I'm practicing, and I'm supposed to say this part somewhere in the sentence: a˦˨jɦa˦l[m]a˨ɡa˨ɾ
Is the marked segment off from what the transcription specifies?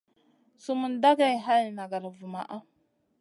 yes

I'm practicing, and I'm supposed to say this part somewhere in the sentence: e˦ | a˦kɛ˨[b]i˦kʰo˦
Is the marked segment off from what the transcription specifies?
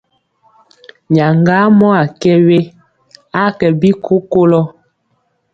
no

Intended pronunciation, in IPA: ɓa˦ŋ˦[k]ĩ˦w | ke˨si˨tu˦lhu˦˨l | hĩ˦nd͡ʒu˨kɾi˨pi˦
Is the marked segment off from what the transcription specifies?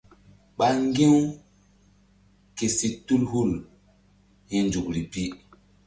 yes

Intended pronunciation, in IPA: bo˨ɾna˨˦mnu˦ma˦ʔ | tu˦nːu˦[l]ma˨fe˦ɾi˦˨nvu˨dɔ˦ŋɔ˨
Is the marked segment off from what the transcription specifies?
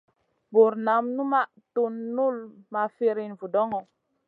no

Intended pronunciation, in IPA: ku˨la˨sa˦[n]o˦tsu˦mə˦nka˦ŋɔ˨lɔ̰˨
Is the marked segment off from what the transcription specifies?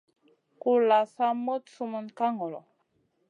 yes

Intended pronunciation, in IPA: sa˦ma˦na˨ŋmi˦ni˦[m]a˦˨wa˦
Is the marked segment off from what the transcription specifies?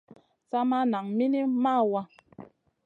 no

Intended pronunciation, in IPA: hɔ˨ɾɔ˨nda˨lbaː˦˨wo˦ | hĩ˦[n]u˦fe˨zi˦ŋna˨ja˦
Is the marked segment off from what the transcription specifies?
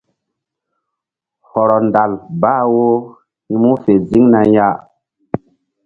yes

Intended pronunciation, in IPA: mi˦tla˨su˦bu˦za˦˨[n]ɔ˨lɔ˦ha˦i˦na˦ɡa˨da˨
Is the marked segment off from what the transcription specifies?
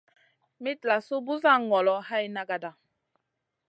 yes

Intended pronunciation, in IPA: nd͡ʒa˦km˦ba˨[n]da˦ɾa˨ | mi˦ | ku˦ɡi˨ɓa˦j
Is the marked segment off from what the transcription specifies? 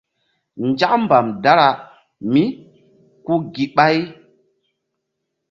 yes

